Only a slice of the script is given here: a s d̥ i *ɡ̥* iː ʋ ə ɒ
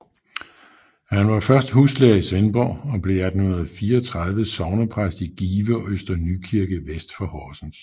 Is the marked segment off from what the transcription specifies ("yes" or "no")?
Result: no